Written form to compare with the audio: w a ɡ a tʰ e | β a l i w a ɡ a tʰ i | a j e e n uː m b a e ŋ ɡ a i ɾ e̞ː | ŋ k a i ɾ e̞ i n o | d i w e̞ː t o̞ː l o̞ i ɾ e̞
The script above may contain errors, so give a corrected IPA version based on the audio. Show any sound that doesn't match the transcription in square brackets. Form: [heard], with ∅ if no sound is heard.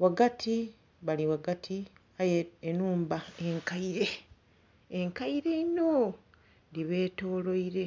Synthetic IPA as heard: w a ɡ a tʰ [i] | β a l i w a ɡ a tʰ i | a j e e n uː m b a e ŋ [k] a i ɾ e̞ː | ŋ k a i ɾ e̞ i n o | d i [β] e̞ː t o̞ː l o̞ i ɾ e̞